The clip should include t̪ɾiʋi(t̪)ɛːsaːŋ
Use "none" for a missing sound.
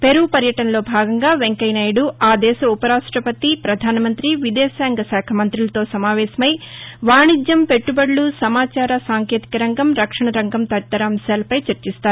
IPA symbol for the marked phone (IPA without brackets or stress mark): d̪